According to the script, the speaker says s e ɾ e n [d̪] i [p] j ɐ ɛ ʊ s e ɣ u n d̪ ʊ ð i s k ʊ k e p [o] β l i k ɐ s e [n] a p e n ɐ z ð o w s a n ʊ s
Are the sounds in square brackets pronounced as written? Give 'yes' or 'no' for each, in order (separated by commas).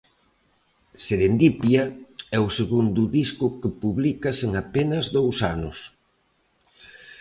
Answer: yes, yes, no, no